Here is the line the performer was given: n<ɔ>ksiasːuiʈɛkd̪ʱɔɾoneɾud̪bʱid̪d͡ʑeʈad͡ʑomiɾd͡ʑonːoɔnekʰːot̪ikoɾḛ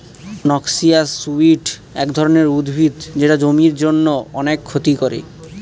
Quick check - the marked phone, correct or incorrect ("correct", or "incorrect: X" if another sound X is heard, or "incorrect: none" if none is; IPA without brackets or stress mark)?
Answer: correct